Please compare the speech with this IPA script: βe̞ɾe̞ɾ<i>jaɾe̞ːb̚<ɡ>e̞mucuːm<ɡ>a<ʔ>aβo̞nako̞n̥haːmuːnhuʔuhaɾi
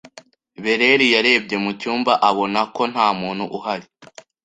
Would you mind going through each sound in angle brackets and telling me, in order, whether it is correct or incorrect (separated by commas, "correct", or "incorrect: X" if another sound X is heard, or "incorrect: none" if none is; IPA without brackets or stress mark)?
correct, incorrect: ɟ, incorrect: b, correct